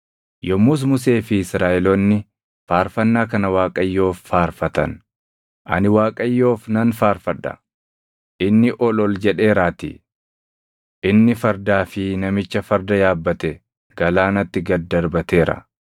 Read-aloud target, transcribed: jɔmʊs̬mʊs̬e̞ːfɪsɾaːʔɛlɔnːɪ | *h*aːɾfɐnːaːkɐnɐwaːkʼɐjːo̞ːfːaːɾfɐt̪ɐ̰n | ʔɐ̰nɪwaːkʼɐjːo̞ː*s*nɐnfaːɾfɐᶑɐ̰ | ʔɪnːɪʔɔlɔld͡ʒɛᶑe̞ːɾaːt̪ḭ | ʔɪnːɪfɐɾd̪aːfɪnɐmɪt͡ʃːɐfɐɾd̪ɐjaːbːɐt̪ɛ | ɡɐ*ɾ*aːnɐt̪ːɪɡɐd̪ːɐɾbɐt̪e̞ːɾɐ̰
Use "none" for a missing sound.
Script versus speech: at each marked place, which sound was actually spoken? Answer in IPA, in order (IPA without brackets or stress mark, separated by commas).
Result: f, f, l